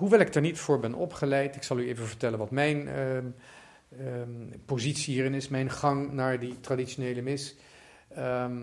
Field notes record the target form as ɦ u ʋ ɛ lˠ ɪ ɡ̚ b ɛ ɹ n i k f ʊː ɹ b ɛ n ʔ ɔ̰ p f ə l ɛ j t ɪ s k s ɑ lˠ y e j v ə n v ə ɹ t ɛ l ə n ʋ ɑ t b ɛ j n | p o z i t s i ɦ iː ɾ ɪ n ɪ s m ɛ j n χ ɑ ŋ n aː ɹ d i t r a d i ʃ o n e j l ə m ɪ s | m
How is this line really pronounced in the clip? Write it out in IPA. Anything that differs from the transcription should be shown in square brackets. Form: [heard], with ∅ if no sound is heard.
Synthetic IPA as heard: ɦ u ʋ ɛ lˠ ɪ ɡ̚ [d] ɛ ɹ n i [t] f ʊː ɹ b ɛ n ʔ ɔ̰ p [χ] ə l ɛ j t ɪ [∅] k s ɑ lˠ y e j v ə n v ə ɹ t ɛ l ə n ʋ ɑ t [m] ɛ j n | p o z i t s i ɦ iː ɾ ɪ n ɪ s m ɛ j n χ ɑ ŋ n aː ɹ d i t r a d i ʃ o n e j l ə m ɪ s | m